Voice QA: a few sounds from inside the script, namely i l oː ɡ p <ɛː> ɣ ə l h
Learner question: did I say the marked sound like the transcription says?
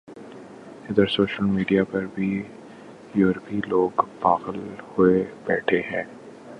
no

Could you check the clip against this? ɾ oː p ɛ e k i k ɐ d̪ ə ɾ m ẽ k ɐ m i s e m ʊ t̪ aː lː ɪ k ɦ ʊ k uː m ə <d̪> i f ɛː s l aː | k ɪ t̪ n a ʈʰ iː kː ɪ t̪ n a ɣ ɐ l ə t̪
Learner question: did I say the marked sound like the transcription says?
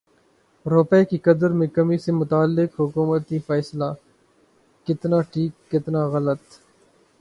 no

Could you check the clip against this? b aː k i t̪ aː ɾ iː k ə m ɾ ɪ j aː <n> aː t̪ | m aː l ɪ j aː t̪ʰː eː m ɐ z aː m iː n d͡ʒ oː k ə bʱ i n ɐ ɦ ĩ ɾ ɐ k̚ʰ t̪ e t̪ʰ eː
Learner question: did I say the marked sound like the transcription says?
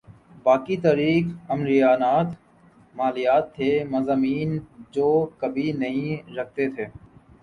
yes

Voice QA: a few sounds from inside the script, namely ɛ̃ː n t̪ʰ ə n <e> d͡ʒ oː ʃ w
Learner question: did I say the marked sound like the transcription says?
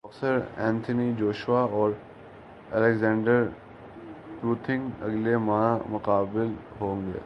no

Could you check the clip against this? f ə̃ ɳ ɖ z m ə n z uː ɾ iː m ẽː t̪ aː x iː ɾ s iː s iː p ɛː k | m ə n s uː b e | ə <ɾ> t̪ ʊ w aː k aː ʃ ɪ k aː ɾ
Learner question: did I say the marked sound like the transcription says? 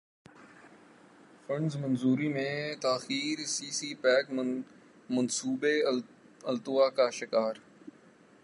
no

